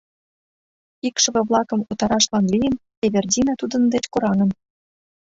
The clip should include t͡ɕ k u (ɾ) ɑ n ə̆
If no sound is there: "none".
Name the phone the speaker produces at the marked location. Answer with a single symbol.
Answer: ɾ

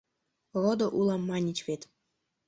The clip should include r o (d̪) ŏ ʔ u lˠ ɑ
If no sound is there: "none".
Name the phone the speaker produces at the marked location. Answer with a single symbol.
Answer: d̪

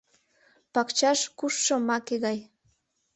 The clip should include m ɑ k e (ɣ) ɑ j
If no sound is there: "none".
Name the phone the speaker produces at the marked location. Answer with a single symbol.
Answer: ɣ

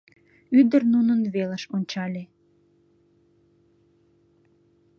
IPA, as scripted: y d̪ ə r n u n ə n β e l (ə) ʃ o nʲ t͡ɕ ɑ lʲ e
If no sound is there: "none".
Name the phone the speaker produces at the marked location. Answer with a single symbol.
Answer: ə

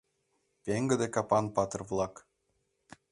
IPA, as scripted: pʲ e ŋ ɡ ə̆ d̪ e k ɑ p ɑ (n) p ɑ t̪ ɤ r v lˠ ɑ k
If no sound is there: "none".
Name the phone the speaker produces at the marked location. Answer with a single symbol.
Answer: n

